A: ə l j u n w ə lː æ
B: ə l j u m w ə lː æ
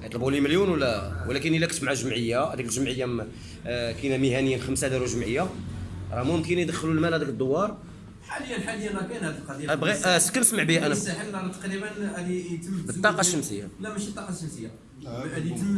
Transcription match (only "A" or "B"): A